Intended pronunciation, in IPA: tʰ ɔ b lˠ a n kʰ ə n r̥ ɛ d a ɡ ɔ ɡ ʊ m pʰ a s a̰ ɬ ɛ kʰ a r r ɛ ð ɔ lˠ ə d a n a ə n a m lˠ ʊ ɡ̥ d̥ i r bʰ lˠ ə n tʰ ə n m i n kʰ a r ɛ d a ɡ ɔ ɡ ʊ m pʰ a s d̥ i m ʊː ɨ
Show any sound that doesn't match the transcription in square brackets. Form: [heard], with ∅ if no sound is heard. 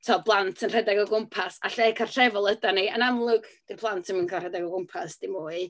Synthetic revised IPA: tʰ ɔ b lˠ a n [tʰ] ə n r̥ ɛ d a ɡ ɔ ɡ ʊ m pʰ a s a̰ ɬ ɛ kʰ a r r ɛ [v] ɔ lˠ ə d a n [i] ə n a m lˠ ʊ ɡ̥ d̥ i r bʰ lˠ [a] n tʰ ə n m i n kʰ a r ɛ d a ɡ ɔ ɡ ʊ m pʰ a s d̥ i m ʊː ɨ